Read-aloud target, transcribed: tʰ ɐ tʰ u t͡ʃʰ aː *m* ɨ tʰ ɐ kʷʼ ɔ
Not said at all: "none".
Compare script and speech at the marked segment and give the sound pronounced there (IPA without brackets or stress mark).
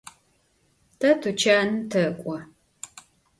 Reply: n